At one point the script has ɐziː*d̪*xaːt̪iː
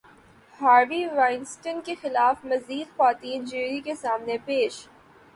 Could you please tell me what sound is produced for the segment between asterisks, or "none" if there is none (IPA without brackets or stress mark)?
d̪